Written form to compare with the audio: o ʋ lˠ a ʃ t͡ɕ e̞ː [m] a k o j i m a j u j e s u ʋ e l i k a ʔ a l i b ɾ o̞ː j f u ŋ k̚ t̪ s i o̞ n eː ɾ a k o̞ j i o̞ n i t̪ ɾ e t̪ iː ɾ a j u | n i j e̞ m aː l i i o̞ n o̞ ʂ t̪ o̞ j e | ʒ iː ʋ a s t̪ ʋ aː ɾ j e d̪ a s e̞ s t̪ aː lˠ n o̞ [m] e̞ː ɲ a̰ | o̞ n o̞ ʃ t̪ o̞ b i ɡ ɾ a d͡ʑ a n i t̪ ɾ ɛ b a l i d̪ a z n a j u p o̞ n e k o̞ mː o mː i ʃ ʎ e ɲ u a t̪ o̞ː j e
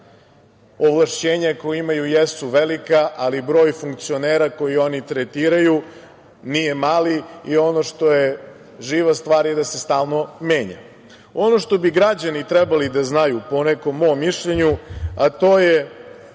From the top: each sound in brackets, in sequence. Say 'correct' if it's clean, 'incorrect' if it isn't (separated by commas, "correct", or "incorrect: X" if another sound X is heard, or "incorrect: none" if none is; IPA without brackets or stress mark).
incorrect: ɲ, correct